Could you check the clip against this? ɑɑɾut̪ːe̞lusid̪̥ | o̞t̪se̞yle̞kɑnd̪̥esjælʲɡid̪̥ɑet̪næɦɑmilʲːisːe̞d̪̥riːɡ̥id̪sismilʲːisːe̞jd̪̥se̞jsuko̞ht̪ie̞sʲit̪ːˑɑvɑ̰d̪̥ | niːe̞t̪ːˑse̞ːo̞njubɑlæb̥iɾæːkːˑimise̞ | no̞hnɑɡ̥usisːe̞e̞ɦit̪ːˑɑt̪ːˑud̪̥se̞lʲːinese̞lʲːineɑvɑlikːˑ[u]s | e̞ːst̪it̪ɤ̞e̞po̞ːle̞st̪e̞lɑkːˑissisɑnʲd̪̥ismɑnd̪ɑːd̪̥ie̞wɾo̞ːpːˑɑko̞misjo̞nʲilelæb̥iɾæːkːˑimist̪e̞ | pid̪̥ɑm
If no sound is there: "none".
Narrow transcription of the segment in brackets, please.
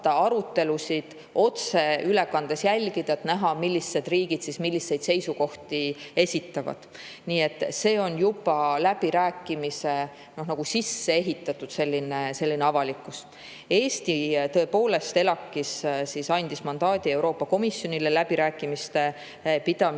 u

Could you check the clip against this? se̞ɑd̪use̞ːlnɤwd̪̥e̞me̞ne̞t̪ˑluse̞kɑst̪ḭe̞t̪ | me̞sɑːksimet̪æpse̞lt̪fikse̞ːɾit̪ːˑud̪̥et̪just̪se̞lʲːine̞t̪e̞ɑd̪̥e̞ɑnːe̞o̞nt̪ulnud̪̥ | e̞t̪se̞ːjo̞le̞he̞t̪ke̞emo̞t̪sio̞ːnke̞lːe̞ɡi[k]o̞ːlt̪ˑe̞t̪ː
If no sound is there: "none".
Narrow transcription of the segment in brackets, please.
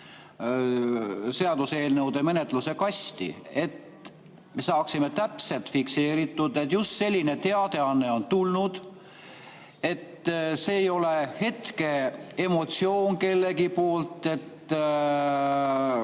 p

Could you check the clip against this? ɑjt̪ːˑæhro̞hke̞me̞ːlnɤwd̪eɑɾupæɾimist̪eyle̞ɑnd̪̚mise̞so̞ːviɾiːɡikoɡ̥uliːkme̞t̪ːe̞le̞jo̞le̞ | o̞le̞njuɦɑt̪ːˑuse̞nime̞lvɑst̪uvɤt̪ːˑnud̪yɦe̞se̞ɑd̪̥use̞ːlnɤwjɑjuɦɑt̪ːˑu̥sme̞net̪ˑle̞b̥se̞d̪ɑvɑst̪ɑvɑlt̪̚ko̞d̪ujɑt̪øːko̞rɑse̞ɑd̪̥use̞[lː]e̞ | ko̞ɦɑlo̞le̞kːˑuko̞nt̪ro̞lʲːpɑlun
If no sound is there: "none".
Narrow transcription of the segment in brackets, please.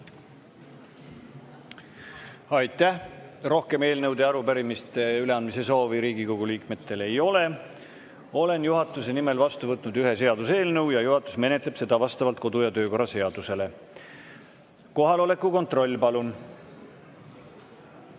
l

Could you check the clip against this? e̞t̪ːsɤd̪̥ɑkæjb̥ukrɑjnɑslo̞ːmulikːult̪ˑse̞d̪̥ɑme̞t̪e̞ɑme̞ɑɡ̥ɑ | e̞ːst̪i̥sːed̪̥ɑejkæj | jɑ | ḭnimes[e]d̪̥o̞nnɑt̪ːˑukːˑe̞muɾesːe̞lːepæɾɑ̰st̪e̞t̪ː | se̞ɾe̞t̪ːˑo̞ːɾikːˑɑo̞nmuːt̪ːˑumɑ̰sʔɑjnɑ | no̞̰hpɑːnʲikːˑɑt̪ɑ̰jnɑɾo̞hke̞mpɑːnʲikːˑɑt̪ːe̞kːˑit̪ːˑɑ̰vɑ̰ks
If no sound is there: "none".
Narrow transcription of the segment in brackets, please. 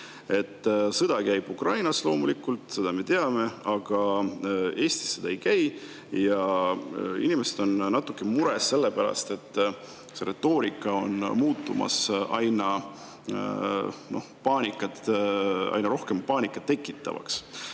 e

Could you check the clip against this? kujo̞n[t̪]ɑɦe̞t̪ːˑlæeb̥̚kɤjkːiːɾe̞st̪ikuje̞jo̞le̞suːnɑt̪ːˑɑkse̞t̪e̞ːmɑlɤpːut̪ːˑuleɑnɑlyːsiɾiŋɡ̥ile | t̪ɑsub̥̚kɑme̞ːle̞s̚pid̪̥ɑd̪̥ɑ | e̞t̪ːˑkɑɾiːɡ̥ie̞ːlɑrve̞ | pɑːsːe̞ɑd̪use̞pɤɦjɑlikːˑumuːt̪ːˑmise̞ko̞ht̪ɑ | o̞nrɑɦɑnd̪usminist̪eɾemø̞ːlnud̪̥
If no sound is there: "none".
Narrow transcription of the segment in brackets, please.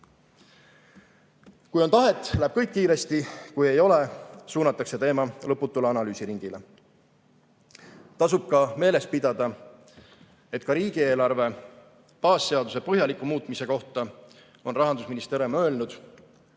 t̪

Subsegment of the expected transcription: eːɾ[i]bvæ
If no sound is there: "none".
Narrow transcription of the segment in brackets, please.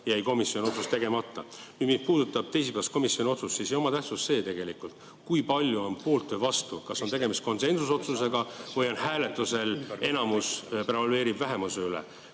i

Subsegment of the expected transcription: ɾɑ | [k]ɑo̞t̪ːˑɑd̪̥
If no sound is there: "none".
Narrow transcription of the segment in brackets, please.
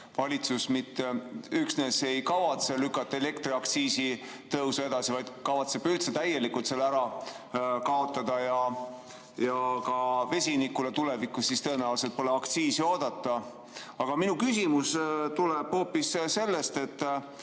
k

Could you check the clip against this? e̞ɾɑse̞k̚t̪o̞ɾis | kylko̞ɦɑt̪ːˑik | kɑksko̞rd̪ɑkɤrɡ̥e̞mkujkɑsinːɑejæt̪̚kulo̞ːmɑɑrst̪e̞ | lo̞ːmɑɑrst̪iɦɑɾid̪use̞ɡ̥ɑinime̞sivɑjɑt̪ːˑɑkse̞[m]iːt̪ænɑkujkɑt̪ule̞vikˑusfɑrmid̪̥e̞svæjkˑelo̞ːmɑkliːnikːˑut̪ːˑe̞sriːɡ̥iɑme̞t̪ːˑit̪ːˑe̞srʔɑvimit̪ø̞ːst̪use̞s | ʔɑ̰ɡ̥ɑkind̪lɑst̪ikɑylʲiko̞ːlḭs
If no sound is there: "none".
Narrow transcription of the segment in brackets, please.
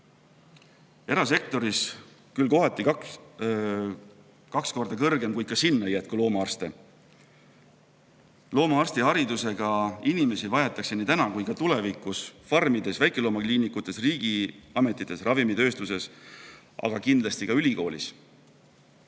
n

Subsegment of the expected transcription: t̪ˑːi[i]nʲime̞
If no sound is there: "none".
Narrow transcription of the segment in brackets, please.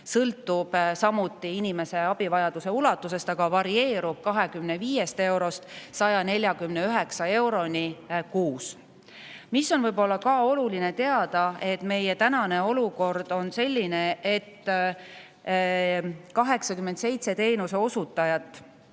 i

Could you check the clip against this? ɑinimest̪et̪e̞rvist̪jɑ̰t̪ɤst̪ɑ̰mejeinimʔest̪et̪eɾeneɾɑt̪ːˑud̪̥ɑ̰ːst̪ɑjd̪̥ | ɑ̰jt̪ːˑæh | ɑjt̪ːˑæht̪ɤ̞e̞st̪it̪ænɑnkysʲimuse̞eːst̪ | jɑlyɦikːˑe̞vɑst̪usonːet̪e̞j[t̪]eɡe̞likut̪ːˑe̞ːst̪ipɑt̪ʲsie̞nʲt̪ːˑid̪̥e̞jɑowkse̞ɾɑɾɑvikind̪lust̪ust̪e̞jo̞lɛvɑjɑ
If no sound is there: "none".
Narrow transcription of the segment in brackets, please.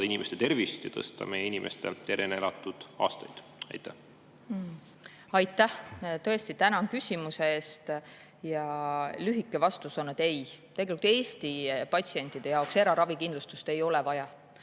t̪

